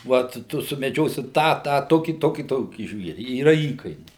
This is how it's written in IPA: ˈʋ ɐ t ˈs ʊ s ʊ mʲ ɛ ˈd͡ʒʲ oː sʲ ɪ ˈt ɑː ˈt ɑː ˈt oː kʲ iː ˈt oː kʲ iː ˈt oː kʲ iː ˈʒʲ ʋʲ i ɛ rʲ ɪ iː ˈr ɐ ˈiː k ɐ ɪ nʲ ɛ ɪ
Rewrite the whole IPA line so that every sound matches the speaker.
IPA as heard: ˈʋ ɐ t ˈt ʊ s ʊ mʲ ɛ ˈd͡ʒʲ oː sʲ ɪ ˈt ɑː ˈt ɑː ˈt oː kʲ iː ˈt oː kʲ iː ˈt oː kʲ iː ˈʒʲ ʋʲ i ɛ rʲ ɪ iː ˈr ɐ ˈiː k ɐ ɪ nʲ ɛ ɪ